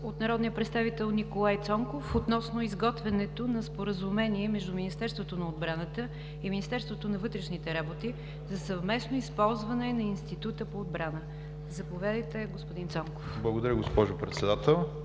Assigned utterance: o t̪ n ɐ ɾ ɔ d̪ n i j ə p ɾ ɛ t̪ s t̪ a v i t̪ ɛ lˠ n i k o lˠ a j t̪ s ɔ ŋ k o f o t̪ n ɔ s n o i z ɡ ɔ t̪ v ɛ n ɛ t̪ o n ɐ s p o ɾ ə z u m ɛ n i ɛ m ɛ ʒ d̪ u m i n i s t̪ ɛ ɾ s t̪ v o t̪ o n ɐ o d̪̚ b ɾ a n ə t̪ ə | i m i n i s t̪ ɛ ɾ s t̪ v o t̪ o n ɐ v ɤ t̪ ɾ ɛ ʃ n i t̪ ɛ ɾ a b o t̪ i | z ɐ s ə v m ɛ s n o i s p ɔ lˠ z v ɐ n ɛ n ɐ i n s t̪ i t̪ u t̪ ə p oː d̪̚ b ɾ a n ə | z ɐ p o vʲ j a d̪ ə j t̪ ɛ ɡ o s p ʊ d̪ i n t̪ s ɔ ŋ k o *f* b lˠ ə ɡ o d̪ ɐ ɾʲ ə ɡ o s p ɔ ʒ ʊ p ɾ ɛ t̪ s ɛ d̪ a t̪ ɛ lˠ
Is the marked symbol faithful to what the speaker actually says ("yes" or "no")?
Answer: yes